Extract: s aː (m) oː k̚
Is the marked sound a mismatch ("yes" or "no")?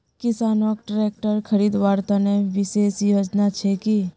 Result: yes